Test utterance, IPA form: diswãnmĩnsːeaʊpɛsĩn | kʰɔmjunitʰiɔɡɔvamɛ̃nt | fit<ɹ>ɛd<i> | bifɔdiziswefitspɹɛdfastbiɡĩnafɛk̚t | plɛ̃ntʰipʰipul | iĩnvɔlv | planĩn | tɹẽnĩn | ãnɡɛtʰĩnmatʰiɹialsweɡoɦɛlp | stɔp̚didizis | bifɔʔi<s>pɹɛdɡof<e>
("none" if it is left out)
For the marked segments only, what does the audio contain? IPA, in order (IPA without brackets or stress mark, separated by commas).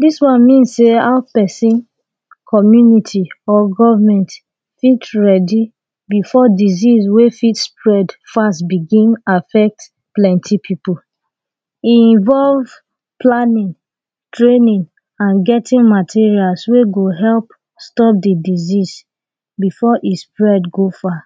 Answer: ɹ, i, s, a